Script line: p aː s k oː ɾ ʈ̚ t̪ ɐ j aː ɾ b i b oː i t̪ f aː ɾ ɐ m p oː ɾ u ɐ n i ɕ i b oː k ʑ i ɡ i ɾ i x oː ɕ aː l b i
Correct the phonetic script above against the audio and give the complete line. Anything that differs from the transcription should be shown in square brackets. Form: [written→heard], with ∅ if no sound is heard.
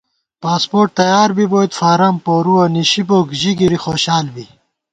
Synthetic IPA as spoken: p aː s [k→p] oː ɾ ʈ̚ t̪ ɐ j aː ɾ b i b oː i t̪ f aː ɾ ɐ m p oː ɾ u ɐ n i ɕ i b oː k ʑ i ɡ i ɾ i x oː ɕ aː l b i

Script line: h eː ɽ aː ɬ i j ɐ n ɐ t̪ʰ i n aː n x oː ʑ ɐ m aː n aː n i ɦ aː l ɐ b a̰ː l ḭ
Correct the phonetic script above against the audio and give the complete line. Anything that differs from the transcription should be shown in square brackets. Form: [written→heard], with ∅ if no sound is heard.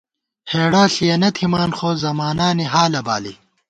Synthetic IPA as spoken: h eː ɽ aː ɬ i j ɐ n ɐ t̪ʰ i [n→m] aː n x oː [ʑ→z] ɐ m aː n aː n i ɦ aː l ɐ b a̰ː l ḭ

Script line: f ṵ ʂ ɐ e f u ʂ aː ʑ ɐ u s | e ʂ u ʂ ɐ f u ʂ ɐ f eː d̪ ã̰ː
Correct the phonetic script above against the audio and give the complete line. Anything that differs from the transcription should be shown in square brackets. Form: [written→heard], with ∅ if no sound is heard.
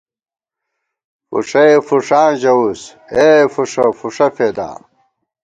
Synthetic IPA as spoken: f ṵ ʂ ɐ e f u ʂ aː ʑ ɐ u s | e [ʂ→f] u ʂ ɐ f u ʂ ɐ f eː d̪ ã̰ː

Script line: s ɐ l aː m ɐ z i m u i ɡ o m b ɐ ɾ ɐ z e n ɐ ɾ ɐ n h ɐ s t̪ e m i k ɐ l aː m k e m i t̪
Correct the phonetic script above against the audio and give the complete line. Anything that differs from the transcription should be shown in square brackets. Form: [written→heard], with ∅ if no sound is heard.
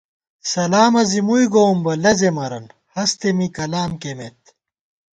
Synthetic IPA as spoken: s ɐ l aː m ɐ z i m u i ɡ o m b ɐ [ɾ→l] ɐ z e [n→m] ɐ ɾ ɐ n h ɐ s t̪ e m i k ɐ l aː m k e m [i→e] t̪

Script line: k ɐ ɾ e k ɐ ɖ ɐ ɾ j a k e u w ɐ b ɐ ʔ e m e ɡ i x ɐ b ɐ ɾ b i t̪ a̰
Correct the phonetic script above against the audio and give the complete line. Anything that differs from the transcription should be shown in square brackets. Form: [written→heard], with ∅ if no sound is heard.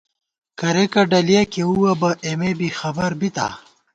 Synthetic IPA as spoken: k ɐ ɾ e k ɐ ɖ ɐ [ɾ→l] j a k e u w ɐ b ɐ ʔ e m e [ɡ→b] i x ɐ b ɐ ɾ b i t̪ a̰

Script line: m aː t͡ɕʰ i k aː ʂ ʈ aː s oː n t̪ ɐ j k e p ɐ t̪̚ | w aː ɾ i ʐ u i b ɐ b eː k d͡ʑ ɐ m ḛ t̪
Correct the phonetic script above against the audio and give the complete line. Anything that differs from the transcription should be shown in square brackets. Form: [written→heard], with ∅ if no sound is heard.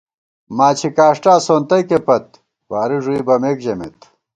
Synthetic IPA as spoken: m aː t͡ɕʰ i k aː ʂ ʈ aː s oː n t̪ ɐ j k e p ɐ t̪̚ | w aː ɾ i ʐ u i b ɐ [b→m] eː k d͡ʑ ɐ m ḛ t̪

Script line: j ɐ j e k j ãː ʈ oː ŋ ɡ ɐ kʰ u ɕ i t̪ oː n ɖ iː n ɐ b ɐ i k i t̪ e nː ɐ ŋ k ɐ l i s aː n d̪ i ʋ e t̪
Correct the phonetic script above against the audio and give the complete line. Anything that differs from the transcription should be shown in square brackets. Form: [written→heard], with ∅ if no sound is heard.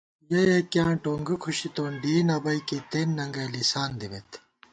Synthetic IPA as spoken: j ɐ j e k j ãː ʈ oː ŋ ɡ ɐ kʰ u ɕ i t̪ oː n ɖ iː n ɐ b ɐ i k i t̪ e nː ɐ ŋ [k→ɡ] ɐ l i s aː n d̪ i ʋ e t̪

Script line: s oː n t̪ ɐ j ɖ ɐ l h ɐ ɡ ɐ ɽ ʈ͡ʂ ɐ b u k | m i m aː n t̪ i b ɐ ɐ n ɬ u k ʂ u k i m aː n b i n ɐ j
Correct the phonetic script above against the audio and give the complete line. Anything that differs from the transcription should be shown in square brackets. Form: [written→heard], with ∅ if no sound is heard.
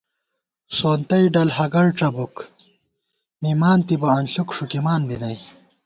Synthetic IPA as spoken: s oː n t̪ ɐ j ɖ ɐ l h ɐ ɡ ɐ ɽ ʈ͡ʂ ɐ b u k | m i m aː n t̪ i b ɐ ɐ n ɬ u k ʂ u k i m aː n b i n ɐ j

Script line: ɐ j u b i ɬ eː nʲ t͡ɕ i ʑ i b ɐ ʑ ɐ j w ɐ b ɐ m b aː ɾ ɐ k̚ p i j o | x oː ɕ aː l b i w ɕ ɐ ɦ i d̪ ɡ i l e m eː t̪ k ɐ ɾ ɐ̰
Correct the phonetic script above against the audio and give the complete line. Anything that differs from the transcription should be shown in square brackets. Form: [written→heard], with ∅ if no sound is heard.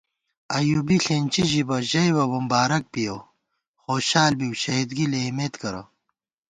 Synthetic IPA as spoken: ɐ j u b i ɬ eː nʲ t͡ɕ i ʑ i b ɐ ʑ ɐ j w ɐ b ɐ m b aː ɾ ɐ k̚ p i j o | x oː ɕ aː l b i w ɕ ɐ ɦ i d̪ ɡ i l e m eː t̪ k ɐ ɾ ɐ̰

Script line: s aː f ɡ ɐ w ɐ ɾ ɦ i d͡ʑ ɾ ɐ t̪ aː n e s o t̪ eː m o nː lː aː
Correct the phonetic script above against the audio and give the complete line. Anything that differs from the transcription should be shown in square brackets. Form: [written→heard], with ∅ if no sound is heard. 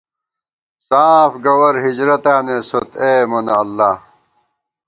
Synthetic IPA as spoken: s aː f ɡ ɐ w ɐ ɾ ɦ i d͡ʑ ɾ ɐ t̪ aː n e s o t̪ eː m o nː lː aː

